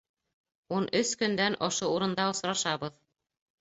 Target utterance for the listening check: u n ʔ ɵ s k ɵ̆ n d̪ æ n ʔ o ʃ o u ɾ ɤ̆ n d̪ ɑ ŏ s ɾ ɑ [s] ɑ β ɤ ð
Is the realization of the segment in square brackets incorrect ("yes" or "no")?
yes